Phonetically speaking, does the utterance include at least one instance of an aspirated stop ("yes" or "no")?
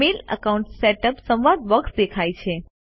yes